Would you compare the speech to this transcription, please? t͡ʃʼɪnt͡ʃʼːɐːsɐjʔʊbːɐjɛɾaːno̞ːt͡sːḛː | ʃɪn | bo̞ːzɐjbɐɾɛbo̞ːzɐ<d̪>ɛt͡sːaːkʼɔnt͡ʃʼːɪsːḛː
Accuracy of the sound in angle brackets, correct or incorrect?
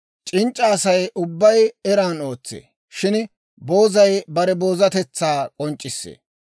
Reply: incorrect